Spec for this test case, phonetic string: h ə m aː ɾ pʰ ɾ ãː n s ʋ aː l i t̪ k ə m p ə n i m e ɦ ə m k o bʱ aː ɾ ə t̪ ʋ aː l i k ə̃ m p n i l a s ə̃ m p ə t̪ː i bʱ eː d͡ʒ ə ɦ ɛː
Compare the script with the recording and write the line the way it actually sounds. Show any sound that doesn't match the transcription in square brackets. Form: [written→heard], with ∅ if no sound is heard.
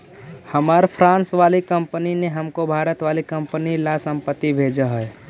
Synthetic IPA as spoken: h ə m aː ɾ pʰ ɾ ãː n s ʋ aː l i [t̪→∅] k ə m p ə n i [m→n] e ɦ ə m k o bʱ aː ɾ ə t̪ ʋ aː l i k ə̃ m p n i l a s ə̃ m p ə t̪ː i bʱ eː d͡ʒ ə ɦ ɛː